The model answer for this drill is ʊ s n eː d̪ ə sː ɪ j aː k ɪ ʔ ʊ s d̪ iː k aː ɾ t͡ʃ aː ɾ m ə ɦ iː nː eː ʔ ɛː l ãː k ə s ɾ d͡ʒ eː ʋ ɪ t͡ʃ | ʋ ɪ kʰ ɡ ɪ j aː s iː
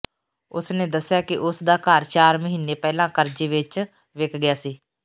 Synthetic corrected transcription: ʊ s n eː d̪ ə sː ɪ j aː k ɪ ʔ ʊ s d̪ aː k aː ɾ t͡ʃ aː ɾ m ə ɦ iː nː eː p ɛː l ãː k ə ɾ d͡ʒ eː ʋ ɪ t͡ʃ | ʋ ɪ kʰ ɡ ɪ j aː s iː